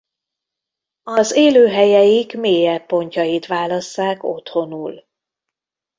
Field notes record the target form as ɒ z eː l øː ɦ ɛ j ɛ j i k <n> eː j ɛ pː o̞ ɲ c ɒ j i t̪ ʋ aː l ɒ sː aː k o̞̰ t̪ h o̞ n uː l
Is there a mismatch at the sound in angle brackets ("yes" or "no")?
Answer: yes